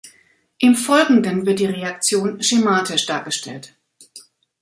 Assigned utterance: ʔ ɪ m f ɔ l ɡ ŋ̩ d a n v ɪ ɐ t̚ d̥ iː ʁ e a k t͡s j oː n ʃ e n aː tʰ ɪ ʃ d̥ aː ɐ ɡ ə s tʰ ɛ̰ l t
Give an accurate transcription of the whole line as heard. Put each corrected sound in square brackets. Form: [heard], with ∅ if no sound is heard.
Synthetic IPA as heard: ʔ ɪ m f ɔ l ɡ ŋ̩ d [ə] n v ɪ ɐ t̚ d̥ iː ʁ e a k t͡s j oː n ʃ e [m] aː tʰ ɪ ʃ d̥ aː ɐ ɡ ə [ʃ] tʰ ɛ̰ l t